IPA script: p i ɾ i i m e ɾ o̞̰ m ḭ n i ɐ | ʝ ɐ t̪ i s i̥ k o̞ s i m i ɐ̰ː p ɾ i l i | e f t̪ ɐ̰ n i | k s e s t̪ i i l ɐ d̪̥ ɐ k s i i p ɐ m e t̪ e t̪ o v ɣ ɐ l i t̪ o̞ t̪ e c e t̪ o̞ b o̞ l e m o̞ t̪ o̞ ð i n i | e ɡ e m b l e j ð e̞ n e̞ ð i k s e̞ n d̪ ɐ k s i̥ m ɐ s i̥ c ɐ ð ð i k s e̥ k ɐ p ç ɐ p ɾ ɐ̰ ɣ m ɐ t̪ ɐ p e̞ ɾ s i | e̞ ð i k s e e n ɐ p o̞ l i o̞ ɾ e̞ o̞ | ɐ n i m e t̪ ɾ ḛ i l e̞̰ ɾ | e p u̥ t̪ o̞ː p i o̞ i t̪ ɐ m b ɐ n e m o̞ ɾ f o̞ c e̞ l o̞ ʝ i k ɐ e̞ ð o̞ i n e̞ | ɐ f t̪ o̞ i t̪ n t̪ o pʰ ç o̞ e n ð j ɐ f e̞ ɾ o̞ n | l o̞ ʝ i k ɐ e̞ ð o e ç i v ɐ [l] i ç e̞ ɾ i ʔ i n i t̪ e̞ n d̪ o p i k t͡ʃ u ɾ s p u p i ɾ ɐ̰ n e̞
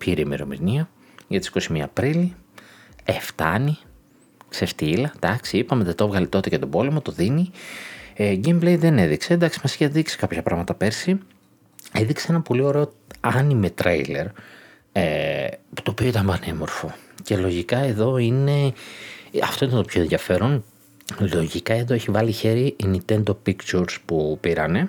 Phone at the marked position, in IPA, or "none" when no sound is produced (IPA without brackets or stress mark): l